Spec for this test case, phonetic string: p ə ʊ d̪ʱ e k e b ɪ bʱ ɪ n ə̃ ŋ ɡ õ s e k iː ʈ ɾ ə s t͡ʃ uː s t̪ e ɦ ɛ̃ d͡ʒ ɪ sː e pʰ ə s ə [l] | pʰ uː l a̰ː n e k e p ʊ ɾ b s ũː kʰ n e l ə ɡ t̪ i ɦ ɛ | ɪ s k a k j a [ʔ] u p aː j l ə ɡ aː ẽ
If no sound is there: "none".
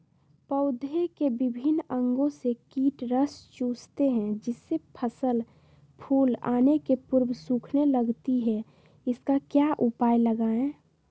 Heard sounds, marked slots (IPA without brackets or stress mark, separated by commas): l, ʔ